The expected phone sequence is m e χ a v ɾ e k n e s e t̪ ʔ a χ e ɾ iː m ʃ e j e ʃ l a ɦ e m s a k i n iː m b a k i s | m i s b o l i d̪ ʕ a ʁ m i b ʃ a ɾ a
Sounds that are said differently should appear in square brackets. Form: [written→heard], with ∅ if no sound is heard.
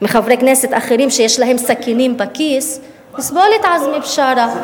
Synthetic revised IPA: m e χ a v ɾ e k n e s e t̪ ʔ a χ e ɾ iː m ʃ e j e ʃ l a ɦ e m s a k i n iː m b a k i s | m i s b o l i [d̪→t̪] ʕ a [ʁ→z] m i b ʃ a ɾ a

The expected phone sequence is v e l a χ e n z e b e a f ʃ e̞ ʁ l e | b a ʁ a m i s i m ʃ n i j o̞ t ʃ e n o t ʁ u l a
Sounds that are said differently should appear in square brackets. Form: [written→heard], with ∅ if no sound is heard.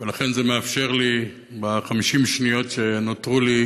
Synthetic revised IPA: v e l a χ e n z e [b→m] e a f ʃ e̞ ʁ l [e→i] | b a [ʁ→χ] a m i [s→ʃ] i m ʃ n i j o̞ t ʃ e n o t ʁ u l [a→i]

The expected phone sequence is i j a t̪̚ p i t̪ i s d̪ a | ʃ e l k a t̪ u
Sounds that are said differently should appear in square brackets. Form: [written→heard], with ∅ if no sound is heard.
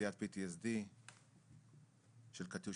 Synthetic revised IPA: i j a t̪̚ p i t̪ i s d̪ [a→i] | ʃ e l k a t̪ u

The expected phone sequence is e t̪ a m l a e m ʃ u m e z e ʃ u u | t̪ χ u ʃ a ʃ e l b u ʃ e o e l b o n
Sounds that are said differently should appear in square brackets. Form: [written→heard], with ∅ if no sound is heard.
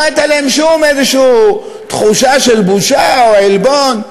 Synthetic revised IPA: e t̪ a [m→∅] l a e m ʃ u m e z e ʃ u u | t̪ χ u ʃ a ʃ e l b u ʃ [e→a] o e l b o n

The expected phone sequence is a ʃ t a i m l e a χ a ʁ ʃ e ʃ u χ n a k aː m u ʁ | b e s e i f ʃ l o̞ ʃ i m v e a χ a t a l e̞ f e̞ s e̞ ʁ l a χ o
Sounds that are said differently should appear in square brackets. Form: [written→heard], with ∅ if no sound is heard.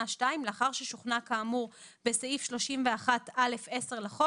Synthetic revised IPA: a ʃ t a i m l e a χ a ʁ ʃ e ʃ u χ n a k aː m u ʁ | b e s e i f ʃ l o̞ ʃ i m v e a χ a t a l e̞ f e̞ s e̞ ʁ l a χ o

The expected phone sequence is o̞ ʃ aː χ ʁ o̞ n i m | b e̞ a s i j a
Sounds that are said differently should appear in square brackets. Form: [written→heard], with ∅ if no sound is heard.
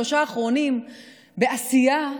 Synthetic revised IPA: o̞ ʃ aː χ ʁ o̞ n i m | b e̞ a s i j a

